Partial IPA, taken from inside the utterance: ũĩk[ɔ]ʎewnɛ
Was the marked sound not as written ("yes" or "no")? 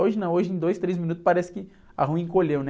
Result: yes